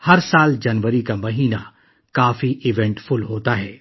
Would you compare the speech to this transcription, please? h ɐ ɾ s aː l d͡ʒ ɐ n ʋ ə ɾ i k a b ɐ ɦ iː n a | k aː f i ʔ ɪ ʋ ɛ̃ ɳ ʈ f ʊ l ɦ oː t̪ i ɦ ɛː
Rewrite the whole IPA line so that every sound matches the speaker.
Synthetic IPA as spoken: h ɐ ɾ s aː l d͡ʒ ɐ n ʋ ə ɾ i k a m ɐ ɦ iː n a | k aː f i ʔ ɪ ʋ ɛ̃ ɳ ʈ f ʊ l ɦ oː t̪ a ɦ ɛː